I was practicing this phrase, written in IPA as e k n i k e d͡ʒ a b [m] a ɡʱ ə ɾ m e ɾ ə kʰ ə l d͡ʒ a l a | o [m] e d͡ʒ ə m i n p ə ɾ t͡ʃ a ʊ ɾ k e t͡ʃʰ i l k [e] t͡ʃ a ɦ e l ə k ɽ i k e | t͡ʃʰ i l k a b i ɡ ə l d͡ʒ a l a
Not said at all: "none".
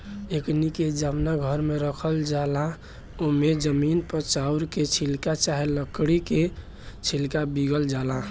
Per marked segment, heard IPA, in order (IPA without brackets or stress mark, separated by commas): n, m, a